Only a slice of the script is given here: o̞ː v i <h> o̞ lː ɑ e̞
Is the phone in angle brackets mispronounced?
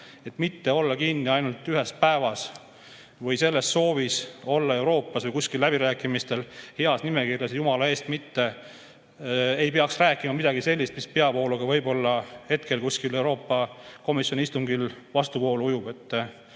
yes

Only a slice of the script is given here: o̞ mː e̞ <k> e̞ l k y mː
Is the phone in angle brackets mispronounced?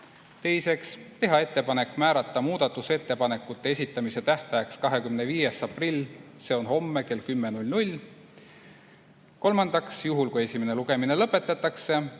no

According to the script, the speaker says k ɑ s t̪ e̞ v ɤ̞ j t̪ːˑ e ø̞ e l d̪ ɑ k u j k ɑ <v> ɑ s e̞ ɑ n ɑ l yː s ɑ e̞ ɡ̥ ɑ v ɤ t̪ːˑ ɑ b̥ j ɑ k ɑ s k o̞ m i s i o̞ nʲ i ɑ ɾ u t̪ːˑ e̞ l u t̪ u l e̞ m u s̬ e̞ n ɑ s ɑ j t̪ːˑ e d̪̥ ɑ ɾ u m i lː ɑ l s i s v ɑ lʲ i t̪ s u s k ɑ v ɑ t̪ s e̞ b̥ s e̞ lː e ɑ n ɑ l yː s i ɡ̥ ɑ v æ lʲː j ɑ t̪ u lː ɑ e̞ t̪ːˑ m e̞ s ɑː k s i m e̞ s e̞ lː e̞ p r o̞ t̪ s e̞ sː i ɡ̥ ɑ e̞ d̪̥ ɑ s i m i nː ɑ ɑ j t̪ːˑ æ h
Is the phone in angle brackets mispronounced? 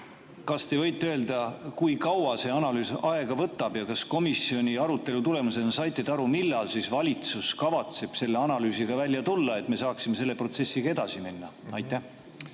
yes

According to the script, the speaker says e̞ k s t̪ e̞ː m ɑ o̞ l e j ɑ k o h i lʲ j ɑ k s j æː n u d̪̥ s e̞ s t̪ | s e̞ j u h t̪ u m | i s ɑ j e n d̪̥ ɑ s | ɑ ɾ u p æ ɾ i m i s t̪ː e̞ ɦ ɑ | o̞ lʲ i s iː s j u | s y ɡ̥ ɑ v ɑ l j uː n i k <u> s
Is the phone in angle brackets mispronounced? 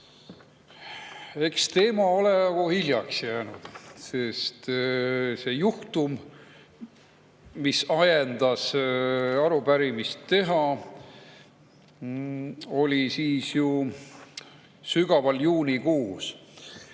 yes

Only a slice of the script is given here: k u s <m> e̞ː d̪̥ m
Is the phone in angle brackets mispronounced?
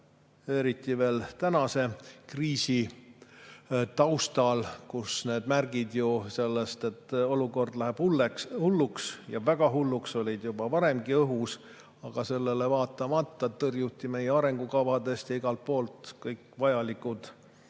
yes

